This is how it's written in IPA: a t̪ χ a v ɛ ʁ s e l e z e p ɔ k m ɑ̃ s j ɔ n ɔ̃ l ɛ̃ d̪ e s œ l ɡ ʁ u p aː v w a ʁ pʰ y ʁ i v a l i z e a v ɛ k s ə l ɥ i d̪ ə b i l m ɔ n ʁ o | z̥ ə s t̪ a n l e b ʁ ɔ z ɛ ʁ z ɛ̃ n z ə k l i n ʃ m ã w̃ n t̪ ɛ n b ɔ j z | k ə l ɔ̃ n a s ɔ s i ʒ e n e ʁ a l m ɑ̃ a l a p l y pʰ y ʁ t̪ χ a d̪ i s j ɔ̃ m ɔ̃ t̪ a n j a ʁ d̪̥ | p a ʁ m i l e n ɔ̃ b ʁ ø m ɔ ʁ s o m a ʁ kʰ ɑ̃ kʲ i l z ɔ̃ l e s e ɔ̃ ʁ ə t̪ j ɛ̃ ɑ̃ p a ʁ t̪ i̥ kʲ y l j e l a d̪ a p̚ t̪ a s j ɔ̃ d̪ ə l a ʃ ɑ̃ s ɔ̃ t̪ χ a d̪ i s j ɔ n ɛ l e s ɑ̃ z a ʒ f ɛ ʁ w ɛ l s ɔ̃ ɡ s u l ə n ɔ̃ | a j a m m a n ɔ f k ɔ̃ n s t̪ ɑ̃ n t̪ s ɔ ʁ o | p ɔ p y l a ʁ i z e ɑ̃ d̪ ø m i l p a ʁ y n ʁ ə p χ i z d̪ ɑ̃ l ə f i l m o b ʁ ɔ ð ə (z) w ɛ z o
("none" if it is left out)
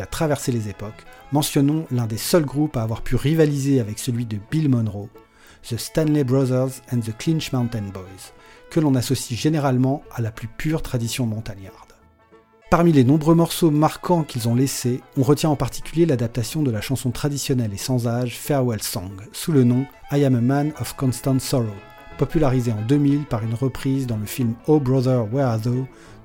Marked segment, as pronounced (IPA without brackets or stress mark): ʁ